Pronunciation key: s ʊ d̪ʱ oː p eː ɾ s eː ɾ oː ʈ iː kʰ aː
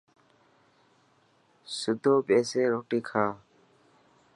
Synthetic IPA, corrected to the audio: s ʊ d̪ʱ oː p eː s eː ɾ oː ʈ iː kʰ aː